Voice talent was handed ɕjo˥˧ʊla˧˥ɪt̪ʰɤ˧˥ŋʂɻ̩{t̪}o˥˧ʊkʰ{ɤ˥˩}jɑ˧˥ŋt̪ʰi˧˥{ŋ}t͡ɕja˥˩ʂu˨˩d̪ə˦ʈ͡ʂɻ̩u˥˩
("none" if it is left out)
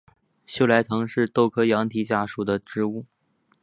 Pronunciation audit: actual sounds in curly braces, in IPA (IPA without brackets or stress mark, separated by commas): t̪, ɤ˥, none